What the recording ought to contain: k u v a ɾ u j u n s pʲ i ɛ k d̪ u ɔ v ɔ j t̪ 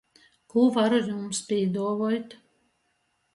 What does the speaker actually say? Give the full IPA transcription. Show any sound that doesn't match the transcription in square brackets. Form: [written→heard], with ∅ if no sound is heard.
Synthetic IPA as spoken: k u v a ɾ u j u [n→m] s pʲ i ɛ [k→∅] d̪ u ɔ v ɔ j t̪